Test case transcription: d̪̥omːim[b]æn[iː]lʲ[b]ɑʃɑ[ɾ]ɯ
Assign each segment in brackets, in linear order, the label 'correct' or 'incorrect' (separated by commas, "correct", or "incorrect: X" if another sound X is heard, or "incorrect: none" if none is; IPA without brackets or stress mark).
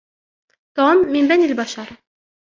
correct, incorrect: i, correct, correct